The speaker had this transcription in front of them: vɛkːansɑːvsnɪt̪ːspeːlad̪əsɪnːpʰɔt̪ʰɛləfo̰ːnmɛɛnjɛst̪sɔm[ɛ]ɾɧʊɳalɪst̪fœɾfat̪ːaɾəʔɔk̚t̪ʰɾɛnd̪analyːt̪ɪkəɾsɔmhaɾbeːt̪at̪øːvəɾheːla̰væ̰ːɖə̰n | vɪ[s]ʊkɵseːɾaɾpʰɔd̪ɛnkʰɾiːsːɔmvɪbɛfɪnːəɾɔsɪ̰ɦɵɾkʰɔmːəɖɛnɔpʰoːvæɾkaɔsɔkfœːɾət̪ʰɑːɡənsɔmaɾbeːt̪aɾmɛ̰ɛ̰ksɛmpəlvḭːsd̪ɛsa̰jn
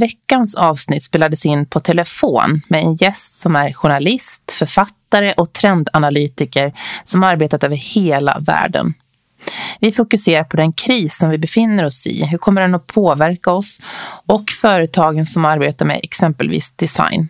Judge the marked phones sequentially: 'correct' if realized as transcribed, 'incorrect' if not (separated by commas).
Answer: incorrect, incorrect